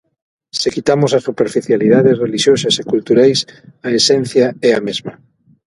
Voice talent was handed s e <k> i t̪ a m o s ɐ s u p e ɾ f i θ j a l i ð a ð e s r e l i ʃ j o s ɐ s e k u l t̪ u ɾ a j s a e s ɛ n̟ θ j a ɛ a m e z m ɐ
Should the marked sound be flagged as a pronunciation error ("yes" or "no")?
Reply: no